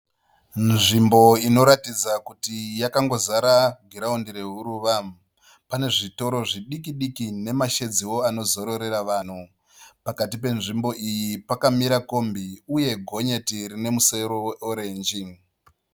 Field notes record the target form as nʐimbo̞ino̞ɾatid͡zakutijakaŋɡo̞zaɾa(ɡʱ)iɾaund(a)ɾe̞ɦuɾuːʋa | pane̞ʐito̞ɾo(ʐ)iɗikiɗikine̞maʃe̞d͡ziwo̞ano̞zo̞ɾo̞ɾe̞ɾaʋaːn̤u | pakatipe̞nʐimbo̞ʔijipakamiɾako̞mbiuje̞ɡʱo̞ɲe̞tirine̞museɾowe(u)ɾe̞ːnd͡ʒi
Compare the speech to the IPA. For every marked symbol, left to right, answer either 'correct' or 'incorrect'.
correct, incorrect: i, correct, incorrect: o

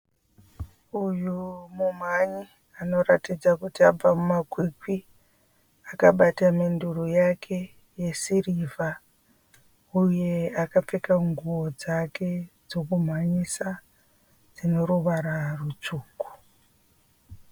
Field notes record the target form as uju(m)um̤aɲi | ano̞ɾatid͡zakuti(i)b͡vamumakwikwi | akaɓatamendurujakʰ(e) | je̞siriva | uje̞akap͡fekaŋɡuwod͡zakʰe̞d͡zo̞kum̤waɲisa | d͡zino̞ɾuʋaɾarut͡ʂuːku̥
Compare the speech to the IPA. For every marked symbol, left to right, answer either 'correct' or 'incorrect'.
correct, incorrect: a, correct

